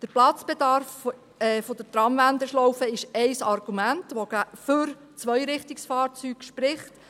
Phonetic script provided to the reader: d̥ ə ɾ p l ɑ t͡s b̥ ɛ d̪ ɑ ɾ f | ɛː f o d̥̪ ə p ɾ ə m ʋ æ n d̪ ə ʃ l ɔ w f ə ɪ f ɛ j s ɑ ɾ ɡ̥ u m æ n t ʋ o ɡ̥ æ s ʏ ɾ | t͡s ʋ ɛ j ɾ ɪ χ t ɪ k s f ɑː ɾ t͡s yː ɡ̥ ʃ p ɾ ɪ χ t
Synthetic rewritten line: d̥ ə ɾ p l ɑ t͡s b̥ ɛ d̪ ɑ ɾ f | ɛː f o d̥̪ ə t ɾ ɑ m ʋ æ n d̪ ə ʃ l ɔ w f ə ɪ ʃ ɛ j s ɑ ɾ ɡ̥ u m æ n t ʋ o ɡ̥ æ f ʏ ɾ | t͡s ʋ œ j ɾ ɪ χ t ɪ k s f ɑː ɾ t͡s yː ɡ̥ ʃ p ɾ ɪ χ t